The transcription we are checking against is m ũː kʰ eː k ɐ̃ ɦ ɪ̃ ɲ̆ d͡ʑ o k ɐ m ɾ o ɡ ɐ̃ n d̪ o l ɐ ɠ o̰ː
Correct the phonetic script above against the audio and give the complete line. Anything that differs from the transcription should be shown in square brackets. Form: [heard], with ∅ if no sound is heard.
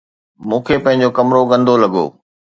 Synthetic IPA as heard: m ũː kʰ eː [p] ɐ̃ ɦ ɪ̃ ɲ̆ d͡ʑ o k ɐ m ɾ o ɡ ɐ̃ n d̪ o l ɐ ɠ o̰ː